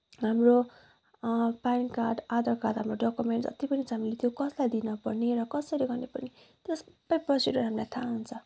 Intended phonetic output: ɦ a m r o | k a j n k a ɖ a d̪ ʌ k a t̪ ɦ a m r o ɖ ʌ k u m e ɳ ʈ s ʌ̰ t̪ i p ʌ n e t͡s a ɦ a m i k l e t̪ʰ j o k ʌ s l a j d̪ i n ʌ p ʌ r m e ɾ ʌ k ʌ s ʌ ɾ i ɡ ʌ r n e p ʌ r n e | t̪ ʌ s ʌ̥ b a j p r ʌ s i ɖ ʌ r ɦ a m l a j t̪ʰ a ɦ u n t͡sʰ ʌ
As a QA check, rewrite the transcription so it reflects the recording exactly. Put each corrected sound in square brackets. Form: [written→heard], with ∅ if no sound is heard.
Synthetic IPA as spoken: ɦ a m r o | [k→p] a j n k a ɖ a d̪ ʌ k a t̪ ɦ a m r o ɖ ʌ k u m e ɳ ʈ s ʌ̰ t̪ i p ʌ n [e→i] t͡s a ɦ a m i [k→∅] l e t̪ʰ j o k ʌ s l a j d̪ i n ʌ p ʌ r [m→n] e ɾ ʌ k ʌ s ʌ ɾ i ɡ ʌ r n e p ʌ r n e | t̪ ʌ s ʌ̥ b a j p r ʌ s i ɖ ʌ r ɦ a m l a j t̪ʰ a ɦ u n t͡sʰ ʌ